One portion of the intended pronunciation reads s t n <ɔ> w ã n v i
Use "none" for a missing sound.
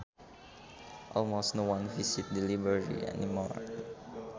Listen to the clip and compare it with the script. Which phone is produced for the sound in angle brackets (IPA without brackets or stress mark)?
o